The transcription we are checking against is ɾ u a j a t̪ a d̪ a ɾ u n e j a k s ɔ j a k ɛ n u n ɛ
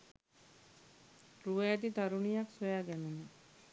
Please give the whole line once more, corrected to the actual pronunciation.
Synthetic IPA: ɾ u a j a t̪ i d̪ a ɾ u n i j a k s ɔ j a ɡ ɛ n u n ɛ